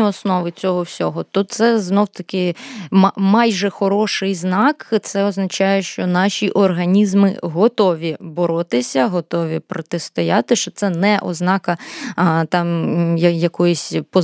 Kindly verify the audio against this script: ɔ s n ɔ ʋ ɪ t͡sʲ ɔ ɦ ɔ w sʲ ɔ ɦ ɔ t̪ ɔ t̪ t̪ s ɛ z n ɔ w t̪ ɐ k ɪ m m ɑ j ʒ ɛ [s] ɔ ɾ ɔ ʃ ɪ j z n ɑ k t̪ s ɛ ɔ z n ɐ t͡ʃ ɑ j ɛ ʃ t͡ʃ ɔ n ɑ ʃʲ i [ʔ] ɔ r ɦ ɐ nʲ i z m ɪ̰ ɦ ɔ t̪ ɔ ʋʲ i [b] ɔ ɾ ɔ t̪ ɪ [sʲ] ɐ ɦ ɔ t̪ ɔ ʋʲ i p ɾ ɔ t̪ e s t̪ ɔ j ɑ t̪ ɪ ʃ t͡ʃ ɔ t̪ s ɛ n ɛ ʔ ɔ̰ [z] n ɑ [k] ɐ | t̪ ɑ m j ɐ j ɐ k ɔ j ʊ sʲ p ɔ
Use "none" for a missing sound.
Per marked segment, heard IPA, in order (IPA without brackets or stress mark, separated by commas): x, ʔ, b, sʲ, z, k